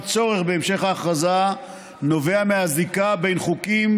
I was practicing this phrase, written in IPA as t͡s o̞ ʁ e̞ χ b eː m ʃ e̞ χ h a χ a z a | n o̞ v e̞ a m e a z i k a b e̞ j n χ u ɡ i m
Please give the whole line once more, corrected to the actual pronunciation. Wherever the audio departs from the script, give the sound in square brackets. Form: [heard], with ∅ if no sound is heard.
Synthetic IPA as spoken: t͡s o̞ ʁ e̞ χ b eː m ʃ e̞ χ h a χ a z a | n o̞ v e̞ a m e a z i k a b e̞ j n χ u [k] i m